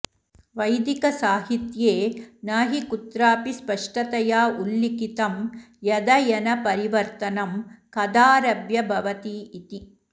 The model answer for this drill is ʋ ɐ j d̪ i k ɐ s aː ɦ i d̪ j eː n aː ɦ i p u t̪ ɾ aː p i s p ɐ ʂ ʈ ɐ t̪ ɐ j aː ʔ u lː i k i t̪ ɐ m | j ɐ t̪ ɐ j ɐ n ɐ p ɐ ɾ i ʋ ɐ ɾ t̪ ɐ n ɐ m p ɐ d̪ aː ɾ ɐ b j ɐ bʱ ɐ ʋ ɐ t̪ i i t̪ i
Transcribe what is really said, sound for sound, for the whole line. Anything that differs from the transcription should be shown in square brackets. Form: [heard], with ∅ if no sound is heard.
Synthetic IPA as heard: ʋ ɐ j d̪ i k ɐ s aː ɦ i [t̪] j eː n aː ɦ i [k] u t̪ ɾ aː p i s p ɐ ʂ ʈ ɐ t̪ ɐ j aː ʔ u lː i k i t̪ ɐ m | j ɐ [d̪] ɐ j ɐ n ɐ p ɐ ɾ i ʋ ɐ ɾ t̪ ɐ n ɐ m [k] ɐ d̪ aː ɾ ɐ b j ɐ bʱ ɐ ʋ ɐ t̪ i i t̪ i